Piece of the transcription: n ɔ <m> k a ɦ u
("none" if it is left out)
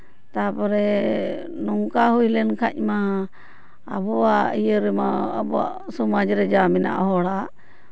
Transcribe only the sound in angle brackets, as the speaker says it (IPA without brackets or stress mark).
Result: ŋ